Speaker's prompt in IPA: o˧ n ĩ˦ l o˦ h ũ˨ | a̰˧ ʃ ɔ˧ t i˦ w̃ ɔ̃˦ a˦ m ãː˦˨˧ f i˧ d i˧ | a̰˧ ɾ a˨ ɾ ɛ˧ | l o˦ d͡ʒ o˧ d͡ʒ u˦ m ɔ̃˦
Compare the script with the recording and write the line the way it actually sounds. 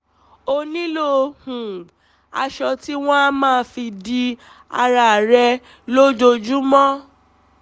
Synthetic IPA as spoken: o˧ n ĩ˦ l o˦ h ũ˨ | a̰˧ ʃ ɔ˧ t i˦ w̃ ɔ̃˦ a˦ m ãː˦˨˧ f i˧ d i˧ | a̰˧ ɾ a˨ ɾ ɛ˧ | l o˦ d͡ʒ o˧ d͡ʒ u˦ m ɔ̃˦